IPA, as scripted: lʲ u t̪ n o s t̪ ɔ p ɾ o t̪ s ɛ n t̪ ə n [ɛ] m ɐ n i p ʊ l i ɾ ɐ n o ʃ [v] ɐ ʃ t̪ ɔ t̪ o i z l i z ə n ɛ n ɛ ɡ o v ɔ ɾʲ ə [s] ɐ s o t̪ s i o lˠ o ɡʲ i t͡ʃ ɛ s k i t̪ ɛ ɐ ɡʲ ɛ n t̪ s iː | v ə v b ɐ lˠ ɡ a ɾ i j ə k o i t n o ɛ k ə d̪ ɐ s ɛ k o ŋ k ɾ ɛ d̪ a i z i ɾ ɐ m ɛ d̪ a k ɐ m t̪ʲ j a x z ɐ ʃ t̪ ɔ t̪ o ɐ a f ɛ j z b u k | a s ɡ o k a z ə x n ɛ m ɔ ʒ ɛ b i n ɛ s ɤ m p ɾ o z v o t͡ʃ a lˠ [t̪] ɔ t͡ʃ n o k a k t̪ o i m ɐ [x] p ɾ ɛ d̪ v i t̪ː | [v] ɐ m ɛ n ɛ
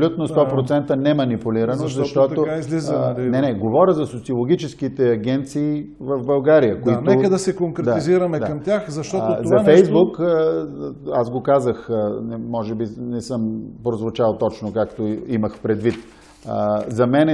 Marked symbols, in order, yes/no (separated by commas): yes, no, no, yes, yes, no